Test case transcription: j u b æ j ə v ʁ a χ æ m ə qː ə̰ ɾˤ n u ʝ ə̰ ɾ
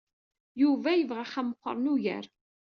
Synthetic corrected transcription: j u v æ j ə v ʁ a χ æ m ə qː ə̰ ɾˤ n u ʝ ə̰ ɾ